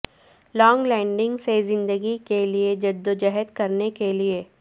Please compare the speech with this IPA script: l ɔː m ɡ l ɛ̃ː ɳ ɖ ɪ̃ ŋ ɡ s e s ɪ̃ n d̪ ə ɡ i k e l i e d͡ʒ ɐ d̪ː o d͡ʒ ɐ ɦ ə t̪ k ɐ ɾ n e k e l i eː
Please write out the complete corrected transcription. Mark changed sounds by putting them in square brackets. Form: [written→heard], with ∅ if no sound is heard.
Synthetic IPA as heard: l ɔː [m→ŋ] ɡ l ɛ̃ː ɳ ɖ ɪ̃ ŋ ɡ s e [s→z] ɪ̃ n d̪ ə ɡ i k e l i e d͡ʒ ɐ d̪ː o d͡ʒ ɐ ɦ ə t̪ k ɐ ɾ n e k e l i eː